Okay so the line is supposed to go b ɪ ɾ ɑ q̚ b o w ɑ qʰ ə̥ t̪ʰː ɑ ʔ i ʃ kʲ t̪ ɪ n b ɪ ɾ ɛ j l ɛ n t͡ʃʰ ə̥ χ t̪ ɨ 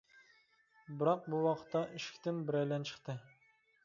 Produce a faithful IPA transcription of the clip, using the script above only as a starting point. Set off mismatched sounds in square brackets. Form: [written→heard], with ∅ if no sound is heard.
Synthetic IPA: b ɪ ɾ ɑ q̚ b [o→u] w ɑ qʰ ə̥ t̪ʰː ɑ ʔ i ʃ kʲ t̪ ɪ n b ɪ ɾ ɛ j l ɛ n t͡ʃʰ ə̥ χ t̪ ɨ